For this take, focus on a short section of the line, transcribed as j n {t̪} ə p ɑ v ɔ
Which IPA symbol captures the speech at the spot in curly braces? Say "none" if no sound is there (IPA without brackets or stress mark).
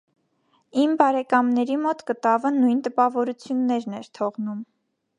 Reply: t̪